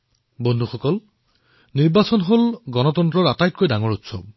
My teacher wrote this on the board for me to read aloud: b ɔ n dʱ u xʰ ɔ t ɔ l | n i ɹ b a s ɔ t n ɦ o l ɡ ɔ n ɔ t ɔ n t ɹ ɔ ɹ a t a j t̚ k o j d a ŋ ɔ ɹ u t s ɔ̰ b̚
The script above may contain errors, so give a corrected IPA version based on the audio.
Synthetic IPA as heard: b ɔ n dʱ u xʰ ɔ k ɔ l | n i ɹ b a s ɔ n ɦ o l ɡ ɔ n ɔ t ɔ n t ɹ ɔ ɹ a t a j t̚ k o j d a ŋ ɔ ɹ u t s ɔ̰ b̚